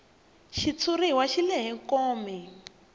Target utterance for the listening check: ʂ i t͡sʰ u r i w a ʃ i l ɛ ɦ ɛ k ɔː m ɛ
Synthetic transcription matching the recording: ʃ i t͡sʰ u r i w a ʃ i l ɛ ɦ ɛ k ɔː m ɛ